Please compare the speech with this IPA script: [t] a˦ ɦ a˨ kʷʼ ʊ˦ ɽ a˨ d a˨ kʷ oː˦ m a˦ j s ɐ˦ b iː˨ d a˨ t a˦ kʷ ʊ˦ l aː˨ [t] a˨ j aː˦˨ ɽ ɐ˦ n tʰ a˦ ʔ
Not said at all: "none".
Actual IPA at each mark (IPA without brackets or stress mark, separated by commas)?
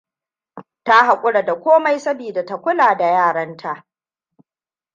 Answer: t, d